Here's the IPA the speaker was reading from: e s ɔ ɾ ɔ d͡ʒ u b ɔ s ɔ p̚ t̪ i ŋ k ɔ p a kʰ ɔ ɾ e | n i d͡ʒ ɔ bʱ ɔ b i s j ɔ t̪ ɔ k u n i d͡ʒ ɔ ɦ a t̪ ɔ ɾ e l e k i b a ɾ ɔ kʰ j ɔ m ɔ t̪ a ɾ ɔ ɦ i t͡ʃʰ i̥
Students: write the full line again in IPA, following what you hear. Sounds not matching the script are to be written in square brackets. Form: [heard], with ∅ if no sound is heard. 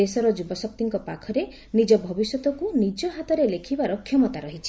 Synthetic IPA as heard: e s ɔ ɾ ɔ d͡ʒ u b ɔ s ɔ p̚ t̪ i ŋ k ɔ p a kʰ ɔ ɾ e | n i d͡ʒ ɔ bʱ ɔ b i s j ɔ t̪ ɔ k u n i d͡ʒ ɔ ɦ a t̪ ɔ ɾ e l e [kʰ] i b a ɾ ɔ kʰ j ɔ m ɔ t̪ a ɾ ɔ ɦ i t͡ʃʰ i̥